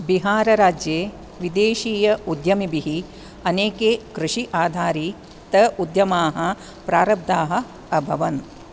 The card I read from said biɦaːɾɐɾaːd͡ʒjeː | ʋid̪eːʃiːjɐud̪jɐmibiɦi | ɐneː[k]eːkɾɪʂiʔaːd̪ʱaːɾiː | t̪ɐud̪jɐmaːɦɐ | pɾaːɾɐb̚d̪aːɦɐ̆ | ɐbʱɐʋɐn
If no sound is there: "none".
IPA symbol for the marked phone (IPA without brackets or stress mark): k